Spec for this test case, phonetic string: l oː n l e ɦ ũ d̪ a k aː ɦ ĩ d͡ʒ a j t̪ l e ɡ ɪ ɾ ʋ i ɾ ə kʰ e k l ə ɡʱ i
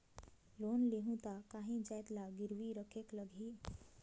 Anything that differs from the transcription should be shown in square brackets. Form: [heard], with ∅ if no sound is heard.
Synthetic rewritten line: l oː n l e ɦ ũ [t̪] a k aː ɦ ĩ d͡ʒ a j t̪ l [a] ɡ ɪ ɾ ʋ i ɾ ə kʰ e k l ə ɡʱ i